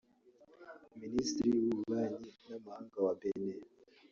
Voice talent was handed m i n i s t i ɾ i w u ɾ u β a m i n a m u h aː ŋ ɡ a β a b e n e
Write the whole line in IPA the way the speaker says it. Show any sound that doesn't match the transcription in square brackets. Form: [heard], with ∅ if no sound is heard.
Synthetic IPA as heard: m i n i s t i ɾ i w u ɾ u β a [ɲ] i n a m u h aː ŋ ɡ a [w] a b e n e